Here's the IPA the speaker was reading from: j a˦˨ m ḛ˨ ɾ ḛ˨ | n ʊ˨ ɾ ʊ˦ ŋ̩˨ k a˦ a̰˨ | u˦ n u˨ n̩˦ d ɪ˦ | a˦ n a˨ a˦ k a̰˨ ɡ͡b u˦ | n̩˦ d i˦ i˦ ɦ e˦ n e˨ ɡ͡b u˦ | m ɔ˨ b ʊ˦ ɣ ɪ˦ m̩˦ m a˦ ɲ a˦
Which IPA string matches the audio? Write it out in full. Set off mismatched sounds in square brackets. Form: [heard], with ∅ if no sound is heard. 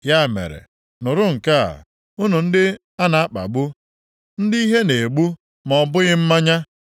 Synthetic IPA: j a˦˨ m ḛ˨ ɾ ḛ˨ | n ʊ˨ ɾ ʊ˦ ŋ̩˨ k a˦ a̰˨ | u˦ n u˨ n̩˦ d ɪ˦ | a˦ n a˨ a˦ [k͡p] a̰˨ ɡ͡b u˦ | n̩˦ d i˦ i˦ ɦ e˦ n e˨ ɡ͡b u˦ | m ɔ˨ b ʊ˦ ɣ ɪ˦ m̩˦ m a˦ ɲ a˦